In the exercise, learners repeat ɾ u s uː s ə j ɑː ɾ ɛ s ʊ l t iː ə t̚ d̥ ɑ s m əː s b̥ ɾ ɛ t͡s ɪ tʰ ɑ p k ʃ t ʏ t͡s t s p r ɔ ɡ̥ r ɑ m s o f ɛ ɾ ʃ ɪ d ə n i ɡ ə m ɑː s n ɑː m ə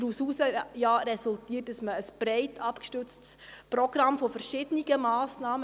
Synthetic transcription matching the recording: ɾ u s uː s ə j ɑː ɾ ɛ s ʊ l t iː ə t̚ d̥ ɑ s m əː s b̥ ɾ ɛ ɪ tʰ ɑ p k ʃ t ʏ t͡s t s p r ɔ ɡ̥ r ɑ m f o f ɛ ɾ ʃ ɪ d ə n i ɡ ə m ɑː s n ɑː m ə